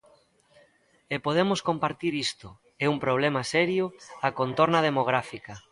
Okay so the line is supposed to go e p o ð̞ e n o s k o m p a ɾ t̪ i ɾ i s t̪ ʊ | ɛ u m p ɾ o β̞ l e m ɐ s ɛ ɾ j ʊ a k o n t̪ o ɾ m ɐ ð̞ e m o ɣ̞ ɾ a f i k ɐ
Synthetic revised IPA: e p o ð̞ e m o s k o m p a ɾ t̪ i ɾ i s t̪ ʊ | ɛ u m p ɾ o β̞ l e m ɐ s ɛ ɾ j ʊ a k o n t̪ o ɾ n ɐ ð̞ e m o ɣ̞ ɾ a f i k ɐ